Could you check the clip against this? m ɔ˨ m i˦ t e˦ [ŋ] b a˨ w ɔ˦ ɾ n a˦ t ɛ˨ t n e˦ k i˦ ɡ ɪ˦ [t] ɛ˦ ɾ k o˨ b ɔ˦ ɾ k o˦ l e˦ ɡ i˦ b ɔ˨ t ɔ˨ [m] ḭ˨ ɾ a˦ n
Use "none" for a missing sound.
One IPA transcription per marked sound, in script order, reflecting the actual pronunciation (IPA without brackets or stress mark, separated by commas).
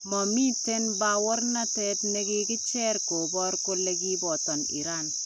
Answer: n, t͡ʃ, n